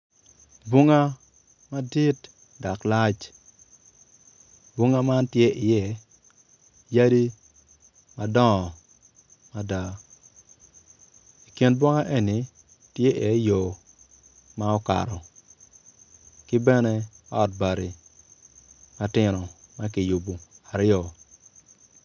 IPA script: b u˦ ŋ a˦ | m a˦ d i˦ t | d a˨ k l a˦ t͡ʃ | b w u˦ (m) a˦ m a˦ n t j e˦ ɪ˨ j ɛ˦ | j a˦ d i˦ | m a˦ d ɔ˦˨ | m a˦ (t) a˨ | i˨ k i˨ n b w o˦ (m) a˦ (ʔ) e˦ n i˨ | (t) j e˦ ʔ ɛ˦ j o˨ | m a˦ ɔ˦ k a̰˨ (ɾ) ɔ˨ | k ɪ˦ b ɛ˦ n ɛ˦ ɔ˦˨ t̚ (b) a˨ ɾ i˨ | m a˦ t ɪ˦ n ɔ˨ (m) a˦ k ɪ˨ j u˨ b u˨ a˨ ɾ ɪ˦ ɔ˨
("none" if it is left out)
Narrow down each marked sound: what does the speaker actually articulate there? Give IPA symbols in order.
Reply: ŋ, d, ŋ, ʔ, t, ɾ, b, m

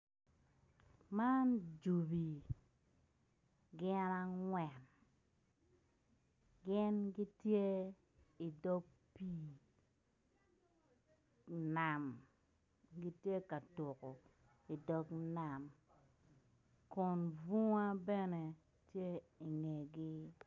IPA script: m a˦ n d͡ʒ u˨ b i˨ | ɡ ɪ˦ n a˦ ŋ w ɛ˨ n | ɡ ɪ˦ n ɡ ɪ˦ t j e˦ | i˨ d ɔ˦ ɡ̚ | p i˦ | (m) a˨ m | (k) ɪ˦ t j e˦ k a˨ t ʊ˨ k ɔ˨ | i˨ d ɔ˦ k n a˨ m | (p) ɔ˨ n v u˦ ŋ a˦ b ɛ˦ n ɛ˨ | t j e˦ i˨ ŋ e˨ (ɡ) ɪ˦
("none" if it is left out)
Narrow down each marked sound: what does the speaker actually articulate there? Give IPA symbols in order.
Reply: n, ɡ, k, ɡ

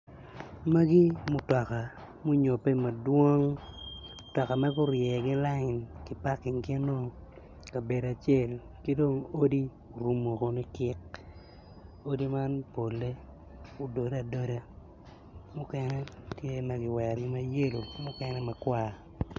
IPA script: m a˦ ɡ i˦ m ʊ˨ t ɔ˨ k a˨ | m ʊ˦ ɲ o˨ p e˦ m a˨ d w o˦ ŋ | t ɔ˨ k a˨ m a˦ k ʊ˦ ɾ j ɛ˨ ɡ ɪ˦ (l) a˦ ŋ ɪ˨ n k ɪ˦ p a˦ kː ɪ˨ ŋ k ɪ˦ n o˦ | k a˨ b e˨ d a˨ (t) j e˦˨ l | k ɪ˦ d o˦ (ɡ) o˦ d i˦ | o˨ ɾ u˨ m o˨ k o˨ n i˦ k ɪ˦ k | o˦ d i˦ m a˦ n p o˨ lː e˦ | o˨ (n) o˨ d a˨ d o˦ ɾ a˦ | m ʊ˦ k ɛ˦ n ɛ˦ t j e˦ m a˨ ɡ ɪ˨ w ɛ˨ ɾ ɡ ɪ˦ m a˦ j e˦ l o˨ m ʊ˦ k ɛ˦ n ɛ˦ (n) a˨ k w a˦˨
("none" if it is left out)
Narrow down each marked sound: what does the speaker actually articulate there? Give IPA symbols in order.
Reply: l, t͡ʃ, ŋ, d, m

